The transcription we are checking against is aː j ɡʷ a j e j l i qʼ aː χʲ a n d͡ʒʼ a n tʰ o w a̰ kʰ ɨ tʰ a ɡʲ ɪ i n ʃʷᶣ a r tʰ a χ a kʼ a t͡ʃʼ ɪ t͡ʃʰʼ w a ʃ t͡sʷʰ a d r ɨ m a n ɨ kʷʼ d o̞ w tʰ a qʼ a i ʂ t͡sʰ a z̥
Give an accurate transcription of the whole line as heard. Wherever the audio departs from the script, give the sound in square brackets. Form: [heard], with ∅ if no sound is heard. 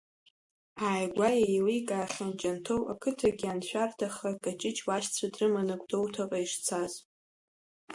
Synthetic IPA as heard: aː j ɡʷ a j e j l i [kʼ] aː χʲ a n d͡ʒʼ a n tʰ o w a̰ kʰ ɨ tʰ a ɡʲ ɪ [a] n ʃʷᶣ a r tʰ a χ a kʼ a t͡ʃʼ ɪ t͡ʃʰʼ w a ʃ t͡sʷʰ a d r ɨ m a n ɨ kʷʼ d o̞ w tʰ a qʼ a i ʂ t͡sʰ a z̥

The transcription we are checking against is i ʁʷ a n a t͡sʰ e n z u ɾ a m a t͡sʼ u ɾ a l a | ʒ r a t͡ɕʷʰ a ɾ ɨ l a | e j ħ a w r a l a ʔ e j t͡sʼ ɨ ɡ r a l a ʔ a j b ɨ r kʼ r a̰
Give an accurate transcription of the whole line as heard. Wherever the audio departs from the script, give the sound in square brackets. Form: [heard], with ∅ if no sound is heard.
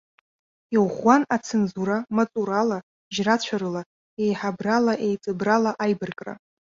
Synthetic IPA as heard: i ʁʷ a n a t͡sʰ e n z u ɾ a m a t͡sʼ u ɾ a l a | ʒ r a t͡ɕʷʰ a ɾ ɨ l a | e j ħ a [b] r a l a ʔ e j t͡sʼ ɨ [b] r a l a ʔ a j b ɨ r kʼ r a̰

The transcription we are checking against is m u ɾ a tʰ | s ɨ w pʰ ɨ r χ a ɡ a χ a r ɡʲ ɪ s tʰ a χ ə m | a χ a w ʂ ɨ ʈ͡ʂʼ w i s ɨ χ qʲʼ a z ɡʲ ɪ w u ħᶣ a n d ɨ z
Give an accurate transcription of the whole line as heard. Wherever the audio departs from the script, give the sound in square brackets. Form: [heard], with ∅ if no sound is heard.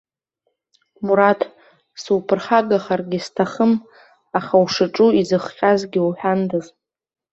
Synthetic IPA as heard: m u ɾ a tʰ | s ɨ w pʰ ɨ r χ a ɡ a χ a r ɡʲ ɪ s tʰ a χ ə m | a χ a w ʂ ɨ ʈ͡ʂʼ [u] i [z] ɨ χ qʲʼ a z ɡʲ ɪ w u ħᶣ a n d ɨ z

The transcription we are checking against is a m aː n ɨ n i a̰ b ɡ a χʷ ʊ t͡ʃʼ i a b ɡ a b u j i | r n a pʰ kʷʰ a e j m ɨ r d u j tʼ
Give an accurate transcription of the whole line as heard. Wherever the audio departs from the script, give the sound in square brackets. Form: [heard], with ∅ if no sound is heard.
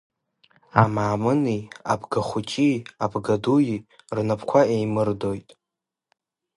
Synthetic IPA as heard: a m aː [m] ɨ n i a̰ b ɡ a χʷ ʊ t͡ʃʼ i a b ɡ a [d] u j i | r n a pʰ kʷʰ a e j m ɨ r d [o] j tʼ

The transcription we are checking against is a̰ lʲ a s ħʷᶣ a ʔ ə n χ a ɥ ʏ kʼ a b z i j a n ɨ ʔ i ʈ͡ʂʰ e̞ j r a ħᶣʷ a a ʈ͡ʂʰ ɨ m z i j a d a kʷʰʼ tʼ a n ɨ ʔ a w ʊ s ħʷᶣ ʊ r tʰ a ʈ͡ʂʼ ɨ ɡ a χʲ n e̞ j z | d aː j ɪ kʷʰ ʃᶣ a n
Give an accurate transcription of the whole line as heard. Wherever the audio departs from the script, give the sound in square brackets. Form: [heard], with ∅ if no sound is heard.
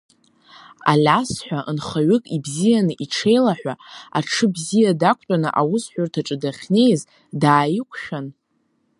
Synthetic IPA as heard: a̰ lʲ a s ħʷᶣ a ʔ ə n χ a ɥ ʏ kʼ [i] b z i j a n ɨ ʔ i ʈ͡ʂʰ e̞ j [l] a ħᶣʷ a a ʈ͡ʂʰ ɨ [b] z i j a d a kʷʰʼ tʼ a n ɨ ʔ a w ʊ s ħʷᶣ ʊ r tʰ a ʈ͡ʂʼ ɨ [d] a χʲ n e̞ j z | d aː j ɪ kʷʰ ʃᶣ a n

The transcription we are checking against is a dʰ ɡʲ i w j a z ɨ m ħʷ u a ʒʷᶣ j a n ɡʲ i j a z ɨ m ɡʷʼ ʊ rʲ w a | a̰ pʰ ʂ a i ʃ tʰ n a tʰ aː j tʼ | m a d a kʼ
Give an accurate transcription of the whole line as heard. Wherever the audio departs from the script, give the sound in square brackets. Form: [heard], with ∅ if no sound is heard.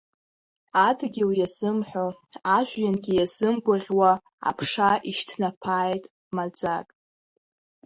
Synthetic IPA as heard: a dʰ ɡʲ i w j a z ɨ m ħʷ [o] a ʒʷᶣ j a n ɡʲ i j a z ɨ m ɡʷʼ ʊ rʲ w a | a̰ pʰ ʂ a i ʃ tʰ n a [pʰ] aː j tʼ | m a [d͡z] a kʼ

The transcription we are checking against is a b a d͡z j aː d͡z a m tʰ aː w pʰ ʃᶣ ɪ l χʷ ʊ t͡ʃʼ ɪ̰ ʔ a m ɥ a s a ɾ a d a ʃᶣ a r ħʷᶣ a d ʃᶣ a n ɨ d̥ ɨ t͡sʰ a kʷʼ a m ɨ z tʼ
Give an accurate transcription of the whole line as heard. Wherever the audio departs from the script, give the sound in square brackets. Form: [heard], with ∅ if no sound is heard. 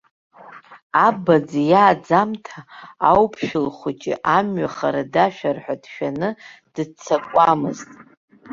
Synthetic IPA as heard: a b a d͡z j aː d͡z a m tʰ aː w pʰ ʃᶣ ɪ l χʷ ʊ t͡ʃʼ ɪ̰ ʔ a m ɥ a [χ] a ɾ a d a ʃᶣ a r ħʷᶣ a d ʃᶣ a n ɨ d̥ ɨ t͡sʰ a kʷʼ a m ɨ z tʼ

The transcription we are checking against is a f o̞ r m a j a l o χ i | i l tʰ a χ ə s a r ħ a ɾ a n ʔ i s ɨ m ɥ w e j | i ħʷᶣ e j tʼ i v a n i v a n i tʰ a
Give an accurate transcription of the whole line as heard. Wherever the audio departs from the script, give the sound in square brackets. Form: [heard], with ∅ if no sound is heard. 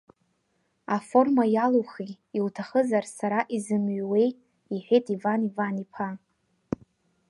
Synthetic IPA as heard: a f o̞ r m a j a l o χ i | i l tʰ a χ ə [z] a r [s] a ɾ a [∅] ʔ i [z] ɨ m ɥ w e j | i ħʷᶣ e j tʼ i v a n i v a n i [pʰ] a

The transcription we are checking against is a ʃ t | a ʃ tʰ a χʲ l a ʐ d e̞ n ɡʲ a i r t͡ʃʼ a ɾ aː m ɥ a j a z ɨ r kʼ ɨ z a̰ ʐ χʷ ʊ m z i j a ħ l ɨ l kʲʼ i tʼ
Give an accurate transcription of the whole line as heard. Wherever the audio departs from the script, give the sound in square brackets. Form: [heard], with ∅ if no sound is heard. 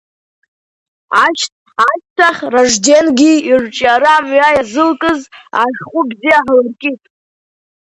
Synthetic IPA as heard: a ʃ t | a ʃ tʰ a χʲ [r] a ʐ d e̞ n ɡʲ [i] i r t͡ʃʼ a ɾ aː m ɥ a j a z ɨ [l] kʼ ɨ z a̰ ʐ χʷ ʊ [b] z i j a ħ l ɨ [r] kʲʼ i tʼ

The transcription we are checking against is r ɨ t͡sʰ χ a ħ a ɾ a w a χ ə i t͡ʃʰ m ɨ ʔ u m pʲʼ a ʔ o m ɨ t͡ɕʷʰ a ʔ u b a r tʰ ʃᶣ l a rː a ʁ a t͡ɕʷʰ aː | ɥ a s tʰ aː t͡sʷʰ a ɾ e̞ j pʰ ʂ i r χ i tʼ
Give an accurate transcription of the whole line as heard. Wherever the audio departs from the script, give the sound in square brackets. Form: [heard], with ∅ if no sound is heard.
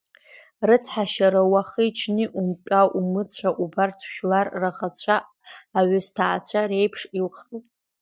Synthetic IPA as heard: r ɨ t͡sʰ [ħ] a [ʃ] a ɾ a w a χ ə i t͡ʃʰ [n] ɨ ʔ u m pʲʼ a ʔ [u] m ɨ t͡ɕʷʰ a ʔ u b a r tʰ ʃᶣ l a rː a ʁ a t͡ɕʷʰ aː | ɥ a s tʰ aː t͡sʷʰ a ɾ e̞ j pʰ ʂ i [l] χ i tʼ

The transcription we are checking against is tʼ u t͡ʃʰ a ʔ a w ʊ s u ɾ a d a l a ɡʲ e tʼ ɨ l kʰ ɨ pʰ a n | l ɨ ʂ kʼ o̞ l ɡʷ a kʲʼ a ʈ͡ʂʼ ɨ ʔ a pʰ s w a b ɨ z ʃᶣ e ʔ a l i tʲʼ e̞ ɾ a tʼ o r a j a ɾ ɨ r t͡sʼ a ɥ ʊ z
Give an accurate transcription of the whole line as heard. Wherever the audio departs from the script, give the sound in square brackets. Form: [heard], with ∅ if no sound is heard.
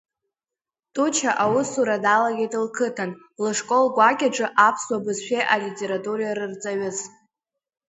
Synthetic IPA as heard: tʼ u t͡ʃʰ a ʔ a w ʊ s u ɾ a d a l a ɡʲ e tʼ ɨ l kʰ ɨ [tʰ] a n | l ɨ ʂ kʼ o̞ l ɡʷ a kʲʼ a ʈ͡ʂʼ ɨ ʔ a pʰ s w a b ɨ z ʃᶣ e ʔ a l i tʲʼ e̞ ɾ a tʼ [u] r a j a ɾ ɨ r t͡sʼ a ɥ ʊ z

